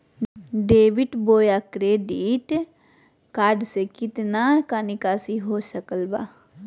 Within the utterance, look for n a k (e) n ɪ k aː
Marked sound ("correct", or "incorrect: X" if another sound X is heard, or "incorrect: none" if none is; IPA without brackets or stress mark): incorrect: a